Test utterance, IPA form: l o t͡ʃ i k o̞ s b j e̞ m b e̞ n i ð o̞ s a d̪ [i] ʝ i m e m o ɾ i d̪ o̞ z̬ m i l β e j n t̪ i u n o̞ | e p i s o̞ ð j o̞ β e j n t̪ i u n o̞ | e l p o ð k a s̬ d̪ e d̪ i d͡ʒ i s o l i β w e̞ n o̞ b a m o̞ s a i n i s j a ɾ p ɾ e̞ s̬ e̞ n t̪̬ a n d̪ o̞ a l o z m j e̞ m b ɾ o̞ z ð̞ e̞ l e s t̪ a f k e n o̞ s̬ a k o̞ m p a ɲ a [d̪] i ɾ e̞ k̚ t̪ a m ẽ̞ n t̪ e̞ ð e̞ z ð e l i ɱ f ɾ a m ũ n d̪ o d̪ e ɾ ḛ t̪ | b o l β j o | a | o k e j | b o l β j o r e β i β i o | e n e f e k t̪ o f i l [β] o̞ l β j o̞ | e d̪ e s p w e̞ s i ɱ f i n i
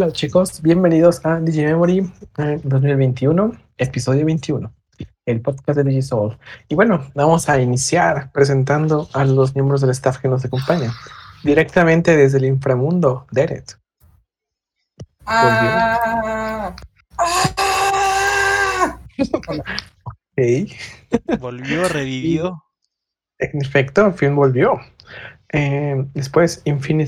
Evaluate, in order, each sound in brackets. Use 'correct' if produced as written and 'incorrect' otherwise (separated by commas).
correct, correct, incorrect